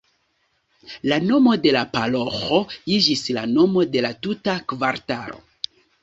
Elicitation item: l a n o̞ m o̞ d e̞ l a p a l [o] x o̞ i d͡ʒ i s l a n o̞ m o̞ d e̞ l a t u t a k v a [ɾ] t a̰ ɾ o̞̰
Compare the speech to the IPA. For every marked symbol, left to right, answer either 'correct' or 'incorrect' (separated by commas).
correct, correct